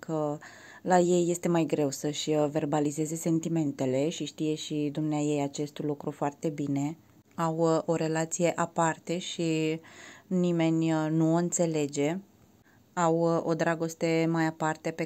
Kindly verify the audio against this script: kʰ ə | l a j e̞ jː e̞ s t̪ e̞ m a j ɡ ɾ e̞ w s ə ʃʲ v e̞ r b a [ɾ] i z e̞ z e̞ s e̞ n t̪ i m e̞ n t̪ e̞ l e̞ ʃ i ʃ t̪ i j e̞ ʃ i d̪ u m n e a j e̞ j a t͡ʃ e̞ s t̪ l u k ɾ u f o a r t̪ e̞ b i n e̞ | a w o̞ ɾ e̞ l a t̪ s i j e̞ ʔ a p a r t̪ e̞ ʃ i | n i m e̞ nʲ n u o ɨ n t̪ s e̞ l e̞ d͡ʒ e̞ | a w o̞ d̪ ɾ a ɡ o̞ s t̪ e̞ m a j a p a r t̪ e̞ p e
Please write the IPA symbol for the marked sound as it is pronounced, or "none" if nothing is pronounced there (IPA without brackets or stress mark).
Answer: l